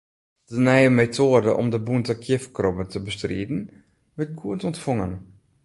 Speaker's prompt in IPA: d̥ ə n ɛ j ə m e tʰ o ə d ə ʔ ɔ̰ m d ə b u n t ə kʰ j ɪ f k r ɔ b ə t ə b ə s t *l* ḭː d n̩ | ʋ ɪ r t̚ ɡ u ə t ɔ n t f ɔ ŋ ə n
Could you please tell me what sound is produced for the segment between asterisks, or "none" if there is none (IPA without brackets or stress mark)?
r